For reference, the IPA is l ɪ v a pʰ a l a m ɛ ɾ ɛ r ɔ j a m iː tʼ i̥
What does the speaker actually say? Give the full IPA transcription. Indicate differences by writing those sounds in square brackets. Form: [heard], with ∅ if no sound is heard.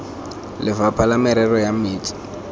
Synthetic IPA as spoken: l ɪ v a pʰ a l a m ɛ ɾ ɛ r ɔ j a m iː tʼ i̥